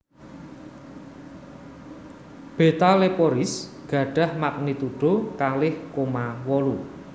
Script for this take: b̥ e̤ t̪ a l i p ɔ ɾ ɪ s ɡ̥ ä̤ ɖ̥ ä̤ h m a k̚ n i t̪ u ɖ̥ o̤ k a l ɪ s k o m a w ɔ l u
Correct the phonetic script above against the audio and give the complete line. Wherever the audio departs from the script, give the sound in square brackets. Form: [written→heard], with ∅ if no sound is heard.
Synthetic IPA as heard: b̥ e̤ t̪ a l [i→e] p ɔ ɾ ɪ s ɡ̥ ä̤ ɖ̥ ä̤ h m a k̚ n i t̪ u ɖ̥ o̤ k a l ɪ [s→h] k o m a w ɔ l u